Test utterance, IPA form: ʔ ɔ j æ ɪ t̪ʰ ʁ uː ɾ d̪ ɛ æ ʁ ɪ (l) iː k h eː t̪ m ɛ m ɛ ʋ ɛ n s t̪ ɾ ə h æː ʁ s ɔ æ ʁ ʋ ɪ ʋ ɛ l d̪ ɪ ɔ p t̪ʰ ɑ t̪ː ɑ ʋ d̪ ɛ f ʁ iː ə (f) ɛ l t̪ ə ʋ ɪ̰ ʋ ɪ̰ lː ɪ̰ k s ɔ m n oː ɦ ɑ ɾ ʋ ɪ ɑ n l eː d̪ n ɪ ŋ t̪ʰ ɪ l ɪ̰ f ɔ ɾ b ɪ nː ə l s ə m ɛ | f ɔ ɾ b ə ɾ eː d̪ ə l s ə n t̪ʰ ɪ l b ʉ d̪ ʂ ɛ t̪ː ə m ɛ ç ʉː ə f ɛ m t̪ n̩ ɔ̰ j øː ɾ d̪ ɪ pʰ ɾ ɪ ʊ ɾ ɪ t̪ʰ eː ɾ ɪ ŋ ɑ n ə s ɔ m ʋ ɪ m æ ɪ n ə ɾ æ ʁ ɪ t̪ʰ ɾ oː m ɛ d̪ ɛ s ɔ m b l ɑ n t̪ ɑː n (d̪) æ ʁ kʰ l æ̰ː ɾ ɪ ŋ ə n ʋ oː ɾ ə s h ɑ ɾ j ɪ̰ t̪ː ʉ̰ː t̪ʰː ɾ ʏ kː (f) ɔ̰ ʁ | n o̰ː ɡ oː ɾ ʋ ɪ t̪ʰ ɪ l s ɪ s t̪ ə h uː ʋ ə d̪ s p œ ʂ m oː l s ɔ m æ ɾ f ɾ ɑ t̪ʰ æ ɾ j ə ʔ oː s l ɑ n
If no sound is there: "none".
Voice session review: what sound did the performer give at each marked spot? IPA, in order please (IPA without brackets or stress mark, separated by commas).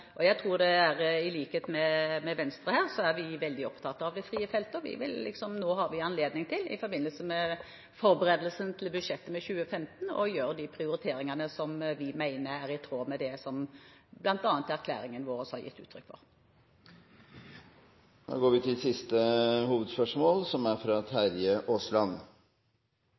l, f, t̪, f